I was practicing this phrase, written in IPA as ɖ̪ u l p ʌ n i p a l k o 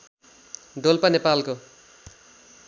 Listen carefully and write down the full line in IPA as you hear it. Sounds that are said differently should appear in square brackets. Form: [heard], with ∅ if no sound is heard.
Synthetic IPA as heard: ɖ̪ [o] l p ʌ n [e] p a l k o

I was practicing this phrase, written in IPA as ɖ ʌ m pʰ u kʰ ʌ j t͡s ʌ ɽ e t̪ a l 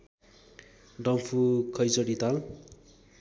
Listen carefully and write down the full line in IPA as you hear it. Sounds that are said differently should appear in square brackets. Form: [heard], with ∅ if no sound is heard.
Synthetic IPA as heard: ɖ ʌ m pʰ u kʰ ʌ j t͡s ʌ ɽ [i] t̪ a l

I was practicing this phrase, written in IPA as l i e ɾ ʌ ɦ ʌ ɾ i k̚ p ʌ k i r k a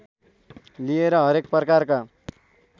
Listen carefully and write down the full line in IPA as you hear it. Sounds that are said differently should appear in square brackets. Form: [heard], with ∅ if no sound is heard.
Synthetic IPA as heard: l i e ɾ ʌ ɦ ʌ ɾ [e] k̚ p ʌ k [a] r k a

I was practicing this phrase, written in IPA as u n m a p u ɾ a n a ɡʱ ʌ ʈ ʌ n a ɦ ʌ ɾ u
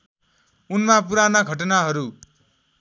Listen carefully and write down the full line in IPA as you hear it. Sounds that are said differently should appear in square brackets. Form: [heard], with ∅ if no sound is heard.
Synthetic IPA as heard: u n m a p u ɾ a n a ɡʱ ʌ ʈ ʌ n a ɦ ʌ ɾ u

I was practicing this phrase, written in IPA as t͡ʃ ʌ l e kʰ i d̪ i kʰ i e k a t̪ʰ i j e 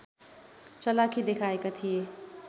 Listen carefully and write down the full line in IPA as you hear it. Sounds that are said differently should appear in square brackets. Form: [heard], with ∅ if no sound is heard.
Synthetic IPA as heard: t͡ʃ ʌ l [a] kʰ i d̪ [e] kʰ [a] e k a t̪ʰ i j e

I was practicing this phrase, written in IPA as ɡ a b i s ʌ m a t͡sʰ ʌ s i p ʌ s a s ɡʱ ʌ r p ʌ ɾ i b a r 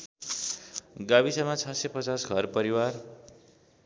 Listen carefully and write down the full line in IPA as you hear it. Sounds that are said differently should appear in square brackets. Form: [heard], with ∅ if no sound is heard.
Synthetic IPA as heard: ɡ a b i s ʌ m a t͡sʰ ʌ s [e] p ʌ [t͡s] a s ɡʱ ʌ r p ʌ ɾ i [w] a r

